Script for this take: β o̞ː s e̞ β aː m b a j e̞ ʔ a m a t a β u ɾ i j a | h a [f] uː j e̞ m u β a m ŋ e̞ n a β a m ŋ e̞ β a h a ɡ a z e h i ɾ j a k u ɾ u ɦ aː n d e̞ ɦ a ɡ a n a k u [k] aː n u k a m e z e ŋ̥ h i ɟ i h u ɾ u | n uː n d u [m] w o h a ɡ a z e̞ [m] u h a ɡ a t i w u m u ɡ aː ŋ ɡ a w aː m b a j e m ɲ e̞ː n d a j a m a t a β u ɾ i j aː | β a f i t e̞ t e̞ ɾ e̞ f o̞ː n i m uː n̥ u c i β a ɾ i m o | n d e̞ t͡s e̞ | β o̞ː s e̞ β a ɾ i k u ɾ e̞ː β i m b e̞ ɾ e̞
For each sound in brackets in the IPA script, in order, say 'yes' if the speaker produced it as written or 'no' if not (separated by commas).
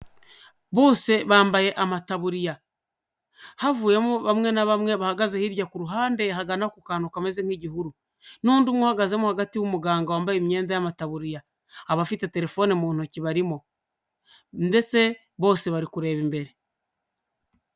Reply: no, yes, yes, yes